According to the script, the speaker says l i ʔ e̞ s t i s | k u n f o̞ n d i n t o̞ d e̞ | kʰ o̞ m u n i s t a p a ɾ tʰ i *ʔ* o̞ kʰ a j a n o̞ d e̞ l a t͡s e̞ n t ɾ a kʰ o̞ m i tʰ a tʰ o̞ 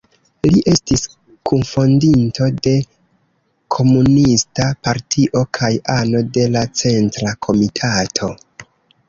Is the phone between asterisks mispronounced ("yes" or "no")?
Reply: no